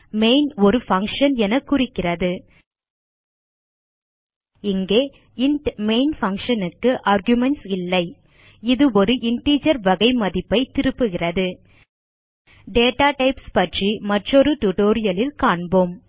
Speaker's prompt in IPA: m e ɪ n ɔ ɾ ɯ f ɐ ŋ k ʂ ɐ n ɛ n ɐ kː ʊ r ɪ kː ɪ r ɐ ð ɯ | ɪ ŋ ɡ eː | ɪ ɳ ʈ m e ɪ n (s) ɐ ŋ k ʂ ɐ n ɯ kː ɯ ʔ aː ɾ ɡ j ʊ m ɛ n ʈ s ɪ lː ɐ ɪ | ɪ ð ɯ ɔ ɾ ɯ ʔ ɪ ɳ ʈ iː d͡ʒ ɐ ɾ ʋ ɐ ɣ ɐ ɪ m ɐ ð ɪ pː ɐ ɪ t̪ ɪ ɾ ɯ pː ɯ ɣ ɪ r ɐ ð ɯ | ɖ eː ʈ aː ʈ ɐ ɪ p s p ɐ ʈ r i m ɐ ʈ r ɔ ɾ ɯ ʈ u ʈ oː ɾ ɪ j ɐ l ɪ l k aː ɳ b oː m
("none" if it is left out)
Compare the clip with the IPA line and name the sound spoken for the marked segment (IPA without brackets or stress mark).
f